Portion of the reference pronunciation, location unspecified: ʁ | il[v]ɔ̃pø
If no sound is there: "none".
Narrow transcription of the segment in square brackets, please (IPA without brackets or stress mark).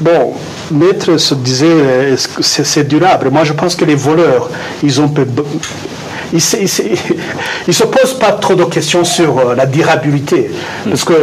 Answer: z